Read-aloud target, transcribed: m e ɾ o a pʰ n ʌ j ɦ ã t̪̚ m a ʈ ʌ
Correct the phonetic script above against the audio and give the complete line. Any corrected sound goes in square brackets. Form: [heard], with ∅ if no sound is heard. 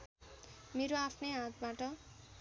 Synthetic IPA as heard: m e ɾ o a pʰ n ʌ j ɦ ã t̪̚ [b] a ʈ ʌ